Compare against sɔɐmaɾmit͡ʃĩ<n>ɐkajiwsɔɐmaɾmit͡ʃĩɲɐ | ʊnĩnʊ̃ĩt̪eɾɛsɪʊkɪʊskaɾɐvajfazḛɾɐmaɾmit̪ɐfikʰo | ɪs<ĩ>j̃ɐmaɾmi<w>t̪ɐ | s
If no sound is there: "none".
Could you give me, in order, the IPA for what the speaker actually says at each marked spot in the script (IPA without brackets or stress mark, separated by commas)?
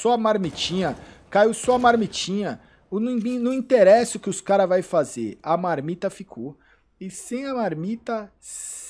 ɲ, ẽ, none